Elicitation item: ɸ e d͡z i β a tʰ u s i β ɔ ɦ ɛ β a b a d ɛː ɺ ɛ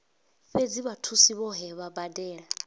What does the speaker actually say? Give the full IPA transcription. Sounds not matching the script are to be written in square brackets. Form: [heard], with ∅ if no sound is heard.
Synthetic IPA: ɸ e d͡z i β a tʰ u s i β ɔ ɦ ɛ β a b a d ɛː ɺ [a]